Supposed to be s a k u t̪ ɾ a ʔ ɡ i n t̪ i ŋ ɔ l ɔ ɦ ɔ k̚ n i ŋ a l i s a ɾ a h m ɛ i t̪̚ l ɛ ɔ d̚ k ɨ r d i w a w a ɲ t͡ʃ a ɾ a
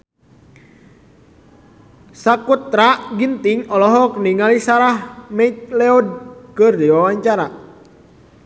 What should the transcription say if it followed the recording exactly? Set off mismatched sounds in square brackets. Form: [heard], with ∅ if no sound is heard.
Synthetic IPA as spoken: s a k u t̪ ɾ a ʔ ɡ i n t̪ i ŋ ɔ l ɔ ɦ ɔ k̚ n i ŋ a l i s a ɾ a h m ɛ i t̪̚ l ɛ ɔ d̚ k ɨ r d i w a w a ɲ t͡ʃ a ɾ a